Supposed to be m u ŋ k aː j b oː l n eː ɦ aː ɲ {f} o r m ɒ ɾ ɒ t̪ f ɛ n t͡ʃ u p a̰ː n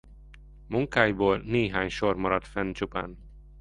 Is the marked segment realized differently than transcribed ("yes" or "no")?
yes